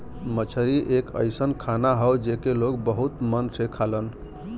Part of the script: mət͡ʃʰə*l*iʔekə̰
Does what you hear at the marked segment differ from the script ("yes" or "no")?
yes